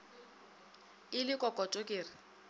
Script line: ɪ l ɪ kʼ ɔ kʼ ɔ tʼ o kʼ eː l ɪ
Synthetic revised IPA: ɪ l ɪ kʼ ɔ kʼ ɔ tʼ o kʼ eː r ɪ